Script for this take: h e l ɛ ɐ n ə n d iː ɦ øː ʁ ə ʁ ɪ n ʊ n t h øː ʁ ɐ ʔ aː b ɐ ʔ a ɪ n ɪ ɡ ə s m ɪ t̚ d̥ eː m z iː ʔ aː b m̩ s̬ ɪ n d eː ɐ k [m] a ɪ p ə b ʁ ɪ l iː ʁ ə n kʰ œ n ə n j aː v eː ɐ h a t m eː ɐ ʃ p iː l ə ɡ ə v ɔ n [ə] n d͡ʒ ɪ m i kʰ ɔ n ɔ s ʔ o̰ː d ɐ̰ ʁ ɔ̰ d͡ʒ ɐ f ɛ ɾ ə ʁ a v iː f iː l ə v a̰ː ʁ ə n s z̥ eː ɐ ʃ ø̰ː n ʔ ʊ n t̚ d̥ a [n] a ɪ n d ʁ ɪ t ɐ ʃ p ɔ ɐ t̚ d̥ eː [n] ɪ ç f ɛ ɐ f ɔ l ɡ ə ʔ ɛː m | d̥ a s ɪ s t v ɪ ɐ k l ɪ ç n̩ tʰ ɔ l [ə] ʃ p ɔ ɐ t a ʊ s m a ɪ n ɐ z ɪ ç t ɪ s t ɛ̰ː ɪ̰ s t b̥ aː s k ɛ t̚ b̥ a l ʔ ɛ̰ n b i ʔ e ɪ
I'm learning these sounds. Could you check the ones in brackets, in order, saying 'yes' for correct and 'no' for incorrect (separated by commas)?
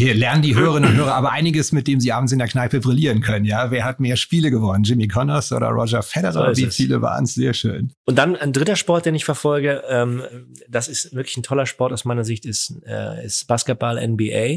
no, yes, yes, yes, no